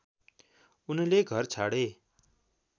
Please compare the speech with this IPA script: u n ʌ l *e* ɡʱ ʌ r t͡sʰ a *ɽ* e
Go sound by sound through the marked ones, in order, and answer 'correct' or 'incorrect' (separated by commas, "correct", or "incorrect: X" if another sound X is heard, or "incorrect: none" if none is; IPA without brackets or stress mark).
correct, correct